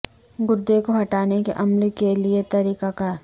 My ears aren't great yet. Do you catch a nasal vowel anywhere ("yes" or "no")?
no